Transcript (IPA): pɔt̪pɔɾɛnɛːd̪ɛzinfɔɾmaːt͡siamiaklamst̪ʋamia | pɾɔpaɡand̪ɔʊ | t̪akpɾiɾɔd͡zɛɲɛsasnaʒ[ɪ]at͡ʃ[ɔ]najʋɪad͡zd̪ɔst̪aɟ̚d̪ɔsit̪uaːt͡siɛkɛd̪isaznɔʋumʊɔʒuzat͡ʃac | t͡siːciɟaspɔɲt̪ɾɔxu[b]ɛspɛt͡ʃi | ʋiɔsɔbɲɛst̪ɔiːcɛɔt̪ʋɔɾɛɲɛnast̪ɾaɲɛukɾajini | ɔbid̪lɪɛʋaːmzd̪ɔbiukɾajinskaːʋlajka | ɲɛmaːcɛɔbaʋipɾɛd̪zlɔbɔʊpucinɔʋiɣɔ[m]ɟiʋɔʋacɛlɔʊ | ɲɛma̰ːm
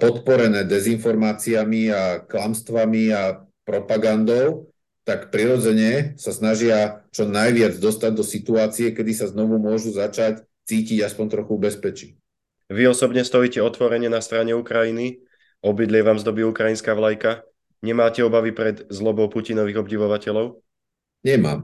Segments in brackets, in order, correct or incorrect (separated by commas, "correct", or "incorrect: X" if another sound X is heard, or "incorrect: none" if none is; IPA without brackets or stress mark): correct, correct, correct, incorrect: b